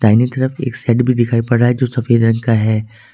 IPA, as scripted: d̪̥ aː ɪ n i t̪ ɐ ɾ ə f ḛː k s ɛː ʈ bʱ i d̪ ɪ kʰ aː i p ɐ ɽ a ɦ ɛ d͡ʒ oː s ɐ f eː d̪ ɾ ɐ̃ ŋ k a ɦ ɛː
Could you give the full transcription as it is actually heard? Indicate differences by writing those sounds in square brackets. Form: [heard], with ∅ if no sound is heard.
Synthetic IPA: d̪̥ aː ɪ n i t̪ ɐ ɾ ə f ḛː k s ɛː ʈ bʱ i d̪ ɪ kʰ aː i p ɐ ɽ a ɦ ɛ d͡ʒ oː s ɐ f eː d̪ ɾ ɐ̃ ŋ k a ɦ ɛː